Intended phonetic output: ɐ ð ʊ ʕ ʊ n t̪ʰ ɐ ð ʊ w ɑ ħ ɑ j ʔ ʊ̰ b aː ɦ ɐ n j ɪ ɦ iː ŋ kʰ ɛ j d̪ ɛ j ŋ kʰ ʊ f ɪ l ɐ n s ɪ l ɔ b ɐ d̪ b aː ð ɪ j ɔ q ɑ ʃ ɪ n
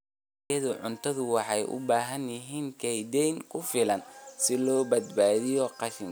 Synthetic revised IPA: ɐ ð ʊ ʕ ʊ n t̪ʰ ɐ ð ʊ w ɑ ħ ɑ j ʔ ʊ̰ b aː ɦ ɐ n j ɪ ɦ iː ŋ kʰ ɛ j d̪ ɛ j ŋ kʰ ʊ f ɪ l ɐ n s ɪ l ɔː b ɐ d̪ b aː ð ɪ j ɔ q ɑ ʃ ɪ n